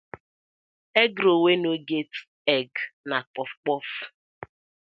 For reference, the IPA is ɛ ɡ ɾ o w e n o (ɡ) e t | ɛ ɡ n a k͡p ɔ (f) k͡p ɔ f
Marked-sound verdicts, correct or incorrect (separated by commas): correct, correct